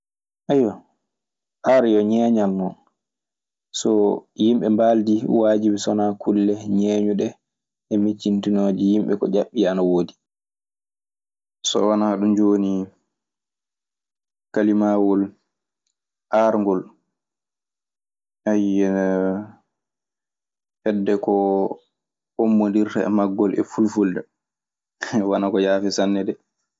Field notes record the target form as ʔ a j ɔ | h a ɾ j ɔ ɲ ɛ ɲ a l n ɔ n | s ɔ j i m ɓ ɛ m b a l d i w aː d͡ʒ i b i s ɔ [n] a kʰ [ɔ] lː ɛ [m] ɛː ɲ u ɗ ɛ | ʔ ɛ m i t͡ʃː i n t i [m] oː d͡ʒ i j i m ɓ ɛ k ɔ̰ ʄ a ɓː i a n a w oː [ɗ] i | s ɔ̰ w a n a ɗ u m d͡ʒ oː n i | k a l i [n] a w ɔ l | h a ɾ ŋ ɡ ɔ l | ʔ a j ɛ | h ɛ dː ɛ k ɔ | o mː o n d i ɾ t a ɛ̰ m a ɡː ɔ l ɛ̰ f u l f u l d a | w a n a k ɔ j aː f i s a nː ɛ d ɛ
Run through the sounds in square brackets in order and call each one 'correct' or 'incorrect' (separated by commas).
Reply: correct, incorrect, incorrect, incorrect, incorrect, incorrect